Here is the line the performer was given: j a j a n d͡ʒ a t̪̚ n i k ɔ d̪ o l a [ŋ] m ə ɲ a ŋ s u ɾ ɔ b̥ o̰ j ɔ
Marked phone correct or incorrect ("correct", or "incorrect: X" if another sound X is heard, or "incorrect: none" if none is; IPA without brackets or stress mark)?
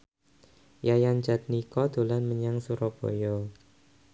incorrect: n